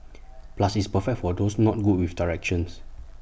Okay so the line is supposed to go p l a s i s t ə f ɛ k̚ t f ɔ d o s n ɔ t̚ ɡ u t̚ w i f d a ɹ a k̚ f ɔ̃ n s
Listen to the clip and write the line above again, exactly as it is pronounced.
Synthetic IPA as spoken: p l a s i s p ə f ɛ k̚ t f ɔ d o s n ɔ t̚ ɡ u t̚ w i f d a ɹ ɛ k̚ ʃ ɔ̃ n s